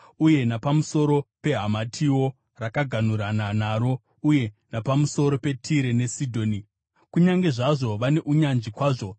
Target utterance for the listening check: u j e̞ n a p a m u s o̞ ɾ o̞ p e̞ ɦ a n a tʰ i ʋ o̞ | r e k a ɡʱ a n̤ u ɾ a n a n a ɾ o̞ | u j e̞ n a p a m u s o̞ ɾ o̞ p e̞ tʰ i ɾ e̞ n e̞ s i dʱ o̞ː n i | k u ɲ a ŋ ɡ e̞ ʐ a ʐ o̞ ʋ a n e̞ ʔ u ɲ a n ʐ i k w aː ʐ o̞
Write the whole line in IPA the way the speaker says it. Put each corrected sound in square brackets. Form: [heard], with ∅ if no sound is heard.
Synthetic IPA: u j e̞ n a p a m u s o̞ ɾ o̞ p e̞ ɦ a [m] a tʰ i [w] o̞ | r [a] k a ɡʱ a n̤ u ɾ a n a n a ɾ o̞ | u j e̞ n a p a m u s o̞ ɾ o̞ p e̞ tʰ i ɾ e̞ n e̞ s i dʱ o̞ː n i | k u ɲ a ŋ ɡ e̞ ʐ a ʐ o̞ ʋ a n e̞ ʔ u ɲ a n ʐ i k w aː ʐ o̞

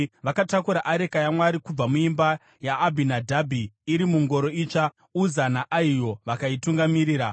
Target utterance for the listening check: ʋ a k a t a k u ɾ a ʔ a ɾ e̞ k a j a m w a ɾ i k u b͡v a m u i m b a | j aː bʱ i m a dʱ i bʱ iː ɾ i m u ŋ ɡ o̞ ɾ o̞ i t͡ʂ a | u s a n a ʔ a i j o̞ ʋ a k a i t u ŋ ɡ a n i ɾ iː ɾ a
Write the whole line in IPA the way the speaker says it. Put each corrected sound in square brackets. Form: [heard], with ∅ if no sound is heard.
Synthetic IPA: ʋ a k a t a k u ɾ a ʔ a ɾ e̞ k a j a m w a ɾ i k u b͡v a m u i m b a | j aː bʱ i [n] a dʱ [a] bʱ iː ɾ i m u ŋ ɡ o̞ ɾ o̞ i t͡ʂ a | u [z] a n a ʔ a i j o̞ ʋ a k a i t u ŋ ɡ a [m] i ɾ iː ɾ a

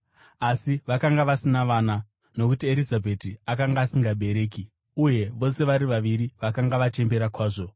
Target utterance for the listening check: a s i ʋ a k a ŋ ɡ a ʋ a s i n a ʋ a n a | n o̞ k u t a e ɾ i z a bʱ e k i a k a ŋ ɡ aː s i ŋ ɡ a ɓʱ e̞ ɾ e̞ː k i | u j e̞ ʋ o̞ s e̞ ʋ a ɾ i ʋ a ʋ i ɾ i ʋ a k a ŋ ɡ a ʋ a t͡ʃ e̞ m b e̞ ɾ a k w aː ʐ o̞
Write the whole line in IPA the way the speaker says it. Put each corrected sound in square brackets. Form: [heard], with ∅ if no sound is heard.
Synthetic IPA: a s i ʋ a k a ŋ ɡ a ʋ a s i n a ʋ a n a | n o̞ k u t [i] e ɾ i z a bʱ e [t] i a k a ŋ ɡ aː s i ŋ ɡ a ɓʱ e̞ ɾ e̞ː k i | u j e̞ ʋ o̞ s e̞ ʋ a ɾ i ʋ a ʋ i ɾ i ʋ a k a ŋ ɡ a ʋ a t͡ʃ e̞ m b e̞ ɾ a k w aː ʐ o̞

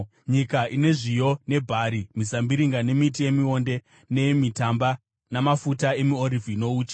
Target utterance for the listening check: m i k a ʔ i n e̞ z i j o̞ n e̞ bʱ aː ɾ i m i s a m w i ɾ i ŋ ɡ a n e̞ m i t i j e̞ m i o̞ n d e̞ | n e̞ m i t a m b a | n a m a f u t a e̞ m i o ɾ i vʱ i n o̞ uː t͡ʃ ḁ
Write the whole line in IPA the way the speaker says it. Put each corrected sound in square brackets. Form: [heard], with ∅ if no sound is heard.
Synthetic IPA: [ɲ] i k a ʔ i n e̞ [ʐ] i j o̞ n e̞ bʱ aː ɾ i m i s a m [b] i ɾ i ŋ ɡ a n e̞ m i t i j e̞ m i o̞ n d e̞ | n e̞ m i t a m b a | n a m a f u t a e̞ m i o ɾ i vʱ i n o̞ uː t͡ʃ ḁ

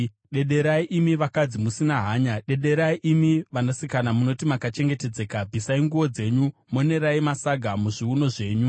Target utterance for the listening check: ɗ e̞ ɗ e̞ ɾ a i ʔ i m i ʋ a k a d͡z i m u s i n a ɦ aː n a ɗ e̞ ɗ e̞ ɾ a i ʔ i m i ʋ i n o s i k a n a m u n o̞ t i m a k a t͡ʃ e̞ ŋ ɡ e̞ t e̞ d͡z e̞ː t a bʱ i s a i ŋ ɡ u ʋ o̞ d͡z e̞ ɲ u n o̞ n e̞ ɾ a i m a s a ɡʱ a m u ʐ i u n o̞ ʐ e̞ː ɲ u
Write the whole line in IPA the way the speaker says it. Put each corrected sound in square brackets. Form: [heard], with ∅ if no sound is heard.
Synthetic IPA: ɗ e̞ ɗ e̞ ɾ a i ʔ i m i ʋ a k a d͡z i m u s i n a ɦ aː [ɲ] a ɗ e̞ ɗ e̞ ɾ a i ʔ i m i ʋ [a] n o s i k a n a m u n o̞ t i m a k a t͡ʃ e̞ ŋ ɡ e̞ t e̞ d͡z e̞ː [k] a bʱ i s a i ŋ ɡ u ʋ o̞ d͡z e̞ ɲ u [m] o̞ n e̞ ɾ a i m a s a ɡʱ a m u ʐ i u n o̞ ʐ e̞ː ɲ u

